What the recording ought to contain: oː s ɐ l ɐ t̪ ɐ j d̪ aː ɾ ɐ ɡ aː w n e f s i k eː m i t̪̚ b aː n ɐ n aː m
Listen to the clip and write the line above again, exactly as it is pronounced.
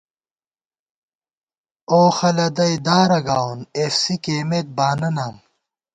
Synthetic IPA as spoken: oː x ɐ l ɐ d̪ ɐ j d̪ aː ɾ ɐ ɡ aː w n e f s i k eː m e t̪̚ b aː n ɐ n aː m